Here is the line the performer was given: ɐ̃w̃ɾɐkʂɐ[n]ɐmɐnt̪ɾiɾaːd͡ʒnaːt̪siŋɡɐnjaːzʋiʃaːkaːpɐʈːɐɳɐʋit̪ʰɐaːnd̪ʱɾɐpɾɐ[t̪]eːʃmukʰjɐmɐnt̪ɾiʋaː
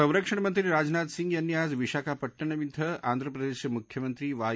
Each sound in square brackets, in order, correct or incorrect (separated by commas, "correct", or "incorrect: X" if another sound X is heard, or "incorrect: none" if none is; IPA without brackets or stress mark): incorrect: ɳ, incorrect: d̪